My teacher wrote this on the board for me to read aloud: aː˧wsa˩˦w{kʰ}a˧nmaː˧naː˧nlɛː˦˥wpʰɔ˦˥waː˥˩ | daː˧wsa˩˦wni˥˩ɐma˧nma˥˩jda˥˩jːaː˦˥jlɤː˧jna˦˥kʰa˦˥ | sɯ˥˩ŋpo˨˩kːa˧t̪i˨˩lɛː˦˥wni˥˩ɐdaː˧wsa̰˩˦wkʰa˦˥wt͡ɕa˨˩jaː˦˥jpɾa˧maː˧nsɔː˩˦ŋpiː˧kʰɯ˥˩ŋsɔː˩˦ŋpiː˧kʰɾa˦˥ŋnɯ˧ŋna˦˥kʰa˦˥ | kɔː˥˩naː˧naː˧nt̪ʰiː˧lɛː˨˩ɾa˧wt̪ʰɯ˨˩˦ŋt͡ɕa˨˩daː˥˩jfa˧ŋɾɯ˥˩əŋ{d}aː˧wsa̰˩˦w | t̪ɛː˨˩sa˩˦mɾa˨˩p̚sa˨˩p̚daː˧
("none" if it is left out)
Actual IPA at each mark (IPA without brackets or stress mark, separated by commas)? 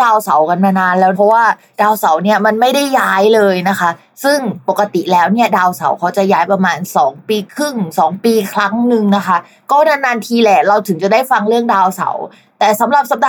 k, d